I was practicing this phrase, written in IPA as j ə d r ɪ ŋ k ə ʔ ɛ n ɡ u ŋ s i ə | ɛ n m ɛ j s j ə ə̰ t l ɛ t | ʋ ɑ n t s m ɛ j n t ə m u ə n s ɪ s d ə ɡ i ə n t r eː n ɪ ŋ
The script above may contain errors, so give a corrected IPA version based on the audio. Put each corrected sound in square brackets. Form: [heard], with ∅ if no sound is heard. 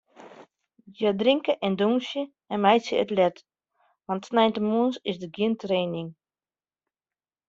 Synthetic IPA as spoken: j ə d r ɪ ŋ k ə ʔ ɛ n [d] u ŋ s [j] ə | ɛ n m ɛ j s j ə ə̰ t l ɛ t | ʋ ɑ n t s [n] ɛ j n t ə m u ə n s ɪ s d ə ɡ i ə n t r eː n ɪ ŋ